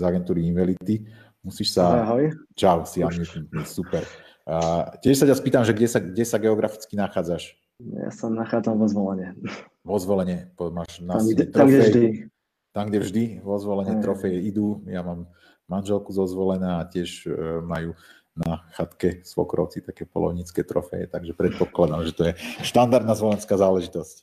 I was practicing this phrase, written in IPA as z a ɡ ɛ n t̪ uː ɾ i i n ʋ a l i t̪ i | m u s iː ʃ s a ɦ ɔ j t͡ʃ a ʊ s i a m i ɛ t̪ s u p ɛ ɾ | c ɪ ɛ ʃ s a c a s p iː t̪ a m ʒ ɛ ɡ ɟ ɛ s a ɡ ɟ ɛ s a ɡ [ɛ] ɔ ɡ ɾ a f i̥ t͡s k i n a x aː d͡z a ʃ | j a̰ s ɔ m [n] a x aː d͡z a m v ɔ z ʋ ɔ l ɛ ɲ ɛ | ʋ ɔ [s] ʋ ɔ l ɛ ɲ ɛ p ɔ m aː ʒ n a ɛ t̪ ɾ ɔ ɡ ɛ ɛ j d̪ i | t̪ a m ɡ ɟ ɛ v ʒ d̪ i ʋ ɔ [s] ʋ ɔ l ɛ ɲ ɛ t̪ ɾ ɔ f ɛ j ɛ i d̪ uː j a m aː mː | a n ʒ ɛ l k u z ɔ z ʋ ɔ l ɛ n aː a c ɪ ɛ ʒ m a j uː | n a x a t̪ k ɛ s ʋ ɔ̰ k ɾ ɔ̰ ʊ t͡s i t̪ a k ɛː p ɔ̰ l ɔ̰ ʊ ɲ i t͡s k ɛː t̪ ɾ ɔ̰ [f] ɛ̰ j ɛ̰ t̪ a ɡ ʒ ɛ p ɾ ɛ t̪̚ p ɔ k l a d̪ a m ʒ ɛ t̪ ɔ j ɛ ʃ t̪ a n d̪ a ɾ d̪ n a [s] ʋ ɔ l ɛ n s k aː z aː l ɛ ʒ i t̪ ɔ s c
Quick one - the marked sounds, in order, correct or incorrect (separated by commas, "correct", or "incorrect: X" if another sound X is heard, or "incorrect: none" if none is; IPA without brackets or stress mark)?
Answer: correct, correct, incorrect: z, incorrect: z, correct, incorrect: z